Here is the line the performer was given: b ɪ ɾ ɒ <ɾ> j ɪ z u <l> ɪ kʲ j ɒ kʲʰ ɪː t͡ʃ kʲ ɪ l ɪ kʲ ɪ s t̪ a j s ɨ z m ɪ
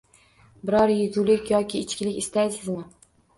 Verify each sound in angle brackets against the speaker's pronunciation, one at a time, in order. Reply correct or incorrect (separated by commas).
correct, correct